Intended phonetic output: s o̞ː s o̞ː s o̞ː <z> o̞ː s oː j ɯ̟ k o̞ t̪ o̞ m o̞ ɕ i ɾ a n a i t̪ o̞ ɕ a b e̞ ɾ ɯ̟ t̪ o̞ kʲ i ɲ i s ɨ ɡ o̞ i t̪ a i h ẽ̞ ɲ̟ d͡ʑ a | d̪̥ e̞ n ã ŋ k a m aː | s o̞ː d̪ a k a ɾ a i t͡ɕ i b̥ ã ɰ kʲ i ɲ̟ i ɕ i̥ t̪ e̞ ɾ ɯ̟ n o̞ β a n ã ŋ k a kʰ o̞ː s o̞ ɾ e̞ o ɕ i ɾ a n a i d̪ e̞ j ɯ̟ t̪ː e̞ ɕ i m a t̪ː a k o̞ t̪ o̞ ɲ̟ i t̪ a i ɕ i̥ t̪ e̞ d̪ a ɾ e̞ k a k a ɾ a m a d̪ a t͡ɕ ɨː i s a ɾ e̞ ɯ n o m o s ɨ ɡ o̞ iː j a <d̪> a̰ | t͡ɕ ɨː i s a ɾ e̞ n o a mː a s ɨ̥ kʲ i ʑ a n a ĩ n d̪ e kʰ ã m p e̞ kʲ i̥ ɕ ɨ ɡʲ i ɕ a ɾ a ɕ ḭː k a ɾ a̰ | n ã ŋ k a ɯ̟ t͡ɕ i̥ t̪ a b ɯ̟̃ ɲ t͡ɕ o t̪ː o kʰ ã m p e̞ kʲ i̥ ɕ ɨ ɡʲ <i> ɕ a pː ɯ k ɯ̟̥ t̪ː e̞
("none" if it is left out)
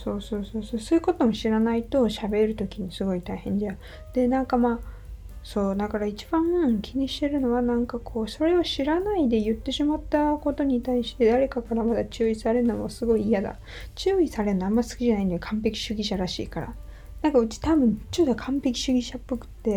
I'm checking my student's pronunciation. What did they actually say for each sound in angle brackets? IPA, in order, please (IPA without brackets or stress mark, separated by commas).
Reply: s, d̪, i